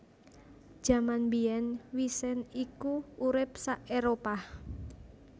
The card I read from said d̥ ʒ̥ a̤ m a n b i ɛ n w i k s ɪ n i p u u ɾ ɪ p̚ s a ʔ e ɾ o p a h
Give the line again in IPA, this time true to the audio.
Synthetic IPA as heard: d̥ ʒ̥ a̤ m a n b i ɛ n w i s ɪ n i k u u ɾ ɪ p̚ s a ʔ e ɾ o p a h